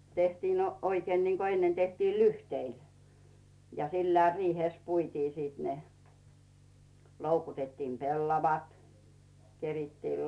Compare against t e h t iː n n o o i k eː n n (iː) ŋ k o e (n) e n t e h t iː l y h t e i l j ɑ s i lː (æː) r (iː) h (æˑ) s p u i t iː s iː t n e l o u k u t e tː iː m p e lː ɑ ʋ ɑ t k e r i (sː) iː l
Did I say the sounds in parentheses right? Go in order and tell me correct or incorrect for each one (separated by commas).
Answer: incorrect, incorrect, correct, correct, incorrect, incorrect